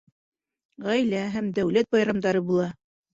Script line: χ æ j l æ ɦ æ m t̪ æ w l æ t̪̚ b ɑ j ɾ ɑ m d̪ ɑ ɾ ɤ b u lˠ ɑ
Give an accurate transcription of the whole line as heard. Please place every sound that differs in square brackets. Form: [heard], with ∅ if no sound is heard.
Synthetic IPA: [ʁ] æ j l æ ɦ æ m [d̪] æ w l æ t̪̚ b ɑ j ɾ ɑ m d̪ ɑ ɾ ɤ b u lˠ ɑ